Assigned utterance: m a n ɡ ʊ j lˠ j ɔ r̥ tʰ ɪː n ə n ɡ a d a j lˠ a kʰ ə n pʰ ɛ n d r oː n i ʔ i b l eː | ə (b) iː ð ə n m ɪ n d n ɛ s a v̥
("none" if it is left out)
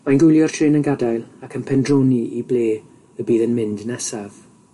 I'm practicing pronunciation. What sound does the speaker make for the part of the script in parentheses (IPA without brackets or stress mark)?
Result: b